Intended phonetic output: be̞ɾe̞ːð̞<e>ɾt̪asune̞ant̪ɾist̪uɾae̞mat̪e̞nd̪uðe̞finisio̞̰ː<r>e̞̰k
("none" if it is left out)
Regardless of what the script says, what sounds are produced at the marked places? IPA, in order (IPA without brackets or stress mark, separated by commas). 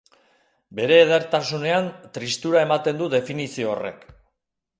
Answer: e, r